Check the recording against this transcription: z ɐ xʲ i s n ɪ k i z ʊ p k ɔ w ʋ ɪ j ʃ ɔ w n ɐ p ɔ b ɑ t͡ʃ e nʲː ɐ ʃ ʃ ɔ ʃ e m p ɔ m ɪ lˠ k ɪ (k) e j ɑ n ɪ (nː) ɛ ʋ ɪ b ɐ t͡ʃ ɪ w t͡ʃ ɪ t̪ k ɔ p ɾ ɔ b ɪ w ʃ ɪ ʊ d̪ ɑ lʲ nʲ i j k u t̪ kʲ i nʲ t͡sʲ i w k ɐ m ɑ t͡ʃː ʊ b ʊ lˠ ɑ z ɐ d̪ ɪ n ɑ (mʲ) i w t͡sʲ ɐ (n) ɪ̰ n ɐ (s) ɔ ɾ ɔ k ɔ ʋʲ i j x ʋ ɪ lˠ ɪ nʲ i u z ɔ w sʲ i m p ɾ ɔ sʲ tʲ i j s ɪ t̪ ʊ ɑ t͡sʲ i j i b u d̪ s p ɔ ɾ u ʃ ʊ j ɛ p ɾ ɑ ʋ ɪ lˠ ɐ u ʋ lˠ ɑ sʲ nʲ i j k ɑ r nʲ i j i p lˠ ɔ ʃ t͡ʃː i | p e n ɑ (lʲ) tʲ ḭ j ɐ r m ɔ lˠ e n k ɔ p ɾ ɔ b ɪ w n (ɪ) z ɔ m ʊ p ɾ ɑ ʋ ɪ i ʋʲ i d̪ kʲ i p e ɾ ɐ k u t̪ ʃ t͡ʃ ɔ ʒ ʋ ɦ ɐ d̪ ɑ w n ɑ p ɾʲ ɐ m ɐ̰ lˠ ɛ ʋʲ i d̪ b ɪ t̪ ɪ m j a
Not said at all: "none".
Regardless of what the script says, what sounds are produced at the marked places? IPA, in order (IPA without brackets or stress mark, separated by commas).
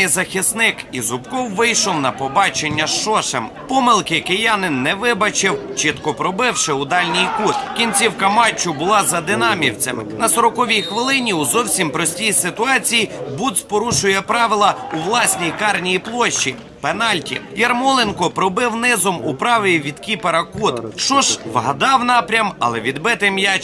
k, nː, mʲ, m, s, lʲ, ɪ